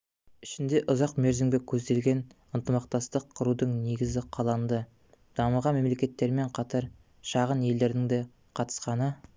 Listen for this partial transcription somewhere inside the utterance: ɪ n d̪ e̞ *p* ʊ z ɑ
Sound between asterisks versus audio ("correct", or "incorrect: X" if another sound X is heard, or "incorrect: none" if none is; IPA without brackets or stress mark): incorrect: ʔ